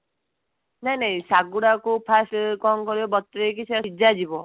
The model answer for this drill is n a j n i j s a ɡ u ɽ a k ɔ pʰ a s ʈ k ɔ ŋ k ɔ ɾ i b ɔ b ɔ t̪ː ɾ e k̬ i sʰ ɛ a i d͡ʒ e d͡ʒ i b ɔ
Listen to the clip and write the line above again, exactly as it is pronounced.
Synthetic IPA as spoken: n a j n a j s a ɡ u ɽ a k u pʰ a s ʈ k ɔ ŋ k ɔ ɾ i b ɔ b ɔ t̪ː ɾ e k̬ i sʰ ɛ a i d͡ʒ a d͡ʒ i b ɔ